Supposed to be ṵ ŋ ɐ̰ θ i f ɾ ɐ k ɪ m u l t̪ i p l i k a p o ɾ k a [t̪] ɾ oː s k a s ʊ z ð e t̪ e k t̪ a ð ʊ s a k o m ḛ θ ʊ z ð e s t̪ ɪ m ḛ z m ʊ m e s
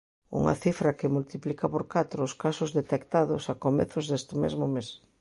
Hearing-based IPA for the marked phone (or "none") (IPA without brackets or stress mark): t̪